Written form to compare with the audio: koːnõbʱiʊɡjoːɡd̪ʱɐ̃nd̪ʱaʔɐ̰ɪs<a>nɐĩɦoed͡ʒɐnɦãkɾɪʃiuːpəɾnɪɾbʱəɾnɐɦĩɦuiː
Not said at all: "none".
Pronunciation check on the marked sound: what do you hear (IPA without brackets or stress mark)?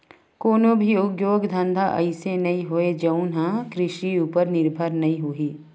e